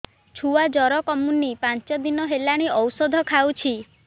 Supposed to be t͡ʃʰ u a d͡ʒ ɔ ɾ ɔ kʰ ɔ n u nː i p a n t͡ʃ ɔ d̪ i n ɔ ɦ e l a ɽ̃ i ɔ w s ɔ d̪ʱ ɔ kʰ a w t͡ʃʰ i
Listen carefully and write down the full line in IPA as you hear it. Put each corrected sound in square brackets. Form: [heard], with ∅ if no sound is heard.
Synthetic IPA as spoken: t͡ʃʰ u a d͡ʒ ɔ ɾ ɔ [k] ɔ [m] u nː i p a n t͡ʃ ɔ d̪ i n ɔ ɦ e l a ɽ̃ i ɔ w s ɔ d̪ʱ ɔ kʰ a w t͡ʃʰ i